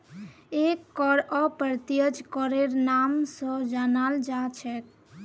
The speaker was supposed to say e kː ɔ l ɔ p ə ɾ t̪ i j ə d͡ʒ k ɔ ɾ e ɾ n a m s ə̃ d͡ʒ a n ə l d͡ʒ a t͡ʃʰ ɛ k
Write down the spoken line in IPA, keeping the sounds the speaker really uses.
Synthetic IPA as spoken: e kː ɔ ɾ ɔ p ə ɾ t̪ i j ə d͡ʒ k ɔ ɾ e ɾ n a m s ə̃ d͡ʒ a n a l d͡ʒ a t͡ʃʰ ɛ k

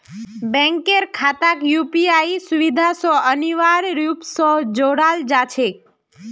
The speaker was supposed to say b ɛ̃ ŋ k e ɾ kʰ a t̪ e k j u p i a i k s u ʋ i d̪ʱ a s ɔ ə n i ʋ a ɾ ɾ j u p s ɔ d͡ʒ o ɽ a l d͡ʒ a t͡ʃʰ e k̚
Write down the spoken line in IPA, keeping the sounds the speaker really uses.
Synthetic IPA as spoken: b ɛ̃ ŋ k e ɾ kʰ a t̪ a k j u p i a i s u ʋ i d̪ʱ a s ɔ ə n i ʋ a ɾ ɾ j u p s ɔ d͡ʒ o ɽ a l d͡ʒ a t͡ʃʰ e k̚

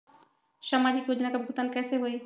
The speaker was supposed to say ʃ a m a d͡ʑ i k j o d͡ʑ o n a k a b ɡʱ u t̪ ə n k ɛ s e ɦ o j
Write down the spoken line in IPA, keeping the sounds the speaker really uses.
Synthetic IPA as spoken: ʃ a m a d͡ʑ i k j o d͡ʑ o n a k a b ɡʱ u t̪ a n k ɛ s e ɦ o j

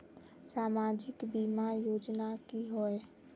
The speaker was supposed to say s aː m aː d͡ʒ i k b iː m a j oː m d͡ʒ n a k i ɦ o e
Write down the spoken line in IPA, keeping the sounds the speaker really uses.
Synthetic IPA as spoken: s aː m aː d͡ʒ ɪ k b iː m a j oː d͡ʒ n a k i ɦ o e

